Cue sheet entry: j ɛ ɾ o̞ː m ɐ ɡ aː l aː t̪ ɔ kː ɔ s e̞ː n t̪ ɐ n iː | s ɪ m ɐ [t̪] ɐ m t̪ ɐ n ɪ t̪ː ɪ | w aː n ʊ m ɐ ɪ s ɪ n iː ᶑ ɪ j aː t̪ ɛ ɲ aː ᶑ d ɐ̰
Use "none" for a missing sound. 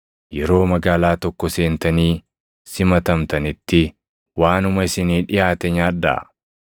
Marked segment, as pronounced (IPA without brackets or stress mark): t̪